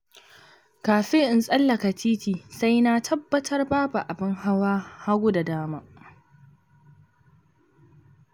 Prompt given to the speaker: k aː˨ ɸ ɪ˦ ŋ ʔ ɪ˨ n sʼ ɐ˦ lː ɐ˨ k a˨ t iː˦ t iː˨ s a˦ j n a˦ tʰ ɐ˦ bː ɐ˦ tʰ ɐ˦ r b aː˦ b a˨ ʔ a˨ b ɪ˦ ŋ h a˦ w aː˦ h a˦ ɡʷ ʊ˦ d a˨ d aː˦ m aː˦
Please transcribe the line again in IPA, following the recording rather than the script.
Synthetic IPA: k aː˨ ɸ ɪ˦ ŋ ʔ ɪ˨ n sʼ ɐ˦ lː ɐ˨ k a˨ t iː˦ t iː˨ s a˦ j n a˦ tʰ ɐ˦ bː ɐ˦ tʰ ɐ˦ r b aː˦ b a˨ ʔ a˨ b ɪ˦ ŋ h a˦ w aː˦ h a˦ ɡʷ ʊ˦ d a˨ d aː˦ m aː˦